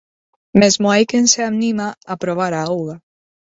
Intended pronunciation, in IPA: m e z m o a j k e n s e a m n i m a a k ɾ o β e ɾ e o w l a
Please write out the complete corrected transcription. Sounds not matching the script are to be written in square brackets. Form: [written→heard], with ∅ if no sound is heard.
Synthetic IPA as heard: m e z m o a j k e n s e a m n i m a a [k→p] ɾ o β [e→a] ɾ [e→a] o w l a